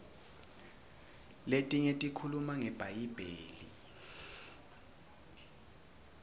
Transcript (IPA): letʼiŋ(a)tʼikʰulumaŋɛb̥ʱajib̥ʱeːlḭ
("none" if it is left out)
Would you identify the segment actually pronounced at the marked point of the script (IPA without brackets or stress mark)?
e